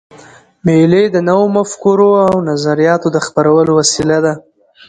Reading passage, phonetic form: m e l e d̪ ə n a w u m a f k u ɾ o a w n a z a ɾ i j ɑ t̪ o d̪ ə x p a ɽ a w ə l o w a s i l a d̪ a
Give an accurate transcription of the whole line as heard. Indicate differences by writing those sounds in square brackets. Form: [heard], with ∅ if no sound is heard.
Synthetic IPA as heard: m e l e d̪ ə n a w [o] m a f k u ɾ o a w n a z a ɾ i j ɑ t̪ o d̪ ə x p a [ɾ] a w ə l o w a s i l a d̪ a